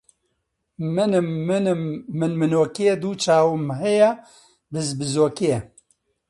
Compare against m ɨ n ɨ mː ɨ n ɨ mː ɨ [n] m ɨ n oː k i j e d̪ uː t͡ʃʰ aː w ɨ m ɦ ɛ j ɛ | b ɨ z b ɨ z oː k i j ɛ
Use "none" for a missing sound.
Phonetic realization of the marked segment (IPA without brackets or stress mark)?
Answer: n